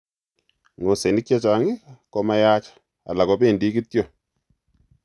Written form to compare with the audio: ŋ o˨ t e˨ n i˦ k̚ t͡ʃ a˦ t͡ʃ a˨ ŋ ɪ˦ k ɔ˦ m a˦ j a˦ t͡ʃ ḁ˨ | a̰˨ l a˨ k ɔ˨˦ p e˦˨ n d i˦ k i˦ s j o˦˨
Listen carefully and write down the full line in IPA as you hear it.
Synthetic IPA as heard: ŋ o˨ s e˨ n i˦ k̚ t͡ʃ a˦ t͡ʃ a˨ ŋ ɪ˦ k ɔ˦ m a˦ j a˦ t͡ʃ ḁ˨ | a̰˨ l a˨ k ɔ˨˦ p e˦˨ n d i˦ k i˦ t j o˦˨

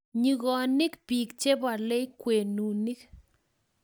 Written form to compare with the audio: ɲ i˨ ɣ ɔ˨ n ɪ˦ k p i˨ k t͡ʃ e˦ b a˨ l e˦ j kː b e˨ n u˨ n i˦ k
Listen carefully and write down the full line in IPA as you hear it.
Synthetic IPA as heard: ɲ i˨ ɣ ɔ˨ n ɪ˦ k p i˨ k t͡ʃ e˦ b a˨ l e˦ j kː w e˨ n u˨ n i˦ k

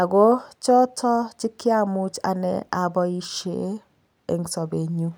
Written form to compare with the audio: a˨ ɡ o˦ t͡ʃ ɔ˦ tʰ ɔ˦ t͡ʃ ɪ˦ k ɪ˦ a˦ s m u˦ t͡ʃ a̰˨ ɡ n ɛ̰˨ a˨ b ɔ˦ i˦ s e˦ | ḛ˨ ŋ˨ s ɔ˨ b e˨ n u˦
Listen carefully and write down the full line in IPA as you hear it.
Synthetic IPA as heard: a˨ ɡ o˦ t͡ʃ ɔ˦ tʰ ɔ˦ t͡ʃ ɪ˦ k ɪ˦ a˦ m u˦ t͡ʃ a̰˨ n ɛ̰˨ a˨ b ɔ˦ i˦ ʃ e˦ | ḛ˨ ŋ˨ s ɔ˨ b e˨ ɲ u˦

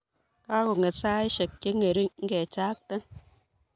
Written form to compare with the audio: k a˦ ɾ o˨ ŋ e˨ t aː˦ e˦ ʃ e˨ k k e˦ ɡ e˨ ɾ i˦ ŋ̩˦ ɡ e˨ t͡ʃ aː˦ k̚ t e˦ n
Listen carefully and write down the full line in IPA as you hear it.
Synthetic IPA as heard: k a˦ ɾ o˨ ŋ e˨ s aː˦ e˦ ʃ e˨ k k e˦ ŋ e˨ ɾ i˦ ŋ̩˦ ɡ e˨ t͡ʃ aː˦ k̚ t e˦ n

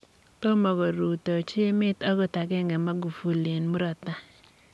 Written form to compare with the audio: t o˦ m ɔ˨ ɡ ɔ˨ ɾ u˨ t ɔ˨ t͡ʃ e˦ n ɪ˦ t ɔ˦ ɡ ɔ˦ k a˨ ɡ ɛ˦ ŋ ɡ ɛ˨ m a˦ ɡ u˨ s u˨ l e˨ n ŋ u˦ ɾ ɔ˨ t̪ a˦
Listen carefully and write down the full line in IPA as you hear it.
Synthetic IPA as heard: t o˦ m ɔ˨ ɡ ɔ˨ ɾ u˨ t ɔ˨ t͡ʃ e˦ m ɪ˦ t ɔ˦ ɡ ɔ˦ t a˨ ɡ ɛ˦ ŋ ɡ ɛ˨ m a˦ ɡ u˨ f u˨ l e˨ n m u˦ ɾ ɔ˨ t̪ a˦

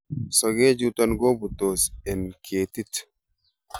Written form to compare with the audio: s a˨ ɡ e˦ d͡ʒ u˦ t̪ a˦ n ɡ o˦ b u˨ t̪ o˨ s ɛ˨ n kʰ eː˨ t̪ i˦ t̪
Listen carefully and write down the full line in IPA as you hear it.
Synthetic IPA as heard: s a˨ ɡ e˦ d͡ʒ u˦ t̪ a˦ n ɡ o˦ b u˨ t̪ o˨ s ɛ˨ n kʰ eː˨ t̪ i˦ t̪

